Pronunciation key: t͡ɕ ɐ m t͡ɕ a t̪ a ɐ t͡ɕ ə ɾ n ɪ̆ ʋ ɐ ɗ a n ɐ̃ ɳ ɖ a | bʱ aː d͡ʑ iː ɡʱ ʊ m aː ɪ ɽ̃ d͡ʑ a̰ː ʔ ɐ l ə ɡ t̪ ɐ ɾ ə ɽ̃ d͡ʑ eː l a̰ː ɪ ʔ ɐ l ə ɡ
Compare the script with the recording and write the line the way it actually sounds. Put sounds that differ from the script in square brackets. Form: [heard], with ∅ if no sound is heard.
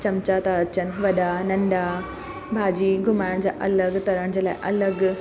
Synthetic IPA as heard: t͡ɕ ɐ m t͡ɕ a t̪ a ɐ t͡ɕ ə [∅] n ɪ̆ ʋ ɐ ɗ a n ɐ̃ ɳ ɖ a | bʱ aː d͡ʑ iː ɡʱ ʊ m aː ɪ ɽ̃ d͡ʑ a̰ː ʔ ɐ l ə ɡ t̪ ɐ ɾ ə ɽ̃ d͡ʑ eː l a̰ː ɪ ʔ ɐ l ə ɡ

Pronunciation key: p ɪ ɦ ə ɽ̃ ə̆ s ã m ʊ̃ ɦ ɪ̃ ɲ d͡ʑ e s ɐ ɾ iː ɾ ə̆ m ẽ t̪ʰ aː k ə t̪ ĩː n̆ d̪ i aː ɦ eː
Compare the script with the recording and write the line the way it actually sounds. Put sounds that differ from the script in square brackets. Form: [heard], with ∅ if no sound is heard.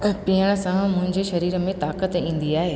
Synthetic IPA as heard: p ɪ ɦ ə ɽ̃ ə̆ s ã m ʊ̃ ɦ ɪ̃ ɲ d͡ʑ e [ʃ] ɐ ɾ iː ɾ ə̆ m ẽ [t̪] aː k ə t̪ ĩː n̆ d̪ i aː ɦ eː

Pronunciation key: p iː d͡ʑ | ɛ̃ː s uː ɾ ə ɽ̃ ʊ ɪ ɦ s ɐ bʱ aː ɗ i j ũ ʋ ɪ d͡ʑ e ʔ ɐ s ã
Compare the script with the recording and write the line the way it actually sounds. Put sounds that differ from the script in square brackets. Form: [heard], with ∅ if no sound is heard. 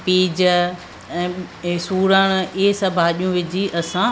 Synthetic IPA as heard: p iː d͡ʑ | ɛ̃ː s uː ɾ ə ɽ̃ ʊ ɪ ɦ s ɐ bʱ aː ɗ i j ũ ʋ ɪ d͡ʑ [i] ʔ ɐ s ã

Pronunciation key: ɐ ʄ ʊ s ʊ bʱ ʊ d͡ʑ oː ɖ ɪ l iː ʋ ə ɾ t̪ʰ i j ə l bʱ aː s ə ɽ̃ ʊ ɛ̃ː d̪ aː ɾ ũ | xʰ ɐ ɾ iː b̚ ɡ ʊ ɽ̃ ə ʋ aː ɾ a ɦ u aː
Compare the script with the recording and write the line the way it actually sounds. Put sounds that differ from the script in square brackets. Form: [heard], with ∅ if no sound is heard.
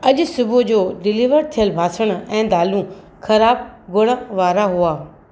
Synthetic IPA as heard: ɐ ʄ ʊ s ʊ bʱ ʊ d͡ʑ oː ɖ ɪ l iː ʋ ə ɾ t̪ʰ i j ə l bʱ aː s ə ɽ̃ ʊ ɛ̃ː d̪ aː [l] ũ | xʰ ɐ ɾ [aː] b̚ ɡ ʊ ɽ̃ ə ʋ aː ɾ a ɦ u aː

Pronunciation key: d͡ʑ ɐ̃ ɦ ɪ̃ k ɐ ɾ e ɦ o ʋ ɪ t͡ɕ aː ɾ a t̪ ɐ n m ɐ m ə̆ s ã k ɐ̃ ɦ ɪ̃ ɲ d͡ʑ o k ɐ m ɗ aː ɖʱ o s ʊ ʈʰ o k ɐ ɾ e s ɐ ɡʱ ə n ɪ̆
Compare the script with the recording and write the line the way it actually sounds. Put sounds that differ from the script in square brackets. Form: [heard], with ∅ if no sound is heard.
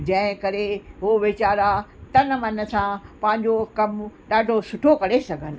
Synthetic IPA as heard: d͡ʑ ɐ̃ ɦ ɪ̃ k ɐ ɾ e ɦ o ʋ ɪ t͡ɕ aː ɾ a t̪ ɐ n m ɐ [n] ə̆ s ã [p] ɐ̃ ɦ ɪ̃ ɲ d͡ʑ o k ɐ m ɗ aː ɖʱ o s ʊ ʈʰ o k ɐ ɾ e s ɐ ɡʱ ə n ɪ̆

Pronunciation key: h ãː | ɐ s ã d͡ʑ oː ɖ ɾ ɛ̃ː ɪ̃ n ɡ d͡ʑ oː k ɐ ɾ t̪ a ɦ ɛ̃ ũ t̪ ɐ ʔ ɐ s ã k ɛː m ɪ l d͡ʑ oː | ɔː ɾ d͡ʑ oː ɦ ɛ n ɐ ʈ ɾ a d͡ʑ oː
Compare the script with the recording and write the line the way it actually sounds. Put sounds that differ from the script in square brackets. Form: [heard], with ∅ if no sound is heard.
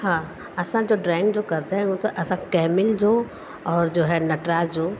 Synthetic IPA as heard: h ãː | ɐ s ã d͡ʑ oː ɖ ɾ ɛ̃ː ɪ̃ [ŋ] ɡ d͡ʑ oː k ɐ ɾ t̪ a ɦ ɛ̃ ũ t̪ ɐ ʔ ɐ s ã k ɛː m ɪ l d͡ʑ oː | ɔː ɾ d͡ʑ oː ɦ ɛ n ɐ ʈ ɾ a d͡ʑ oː

